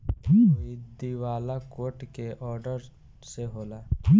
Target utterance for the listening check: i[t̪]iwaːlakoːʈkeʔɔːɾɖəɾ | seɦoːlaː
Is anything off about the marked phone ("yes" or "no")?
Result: yes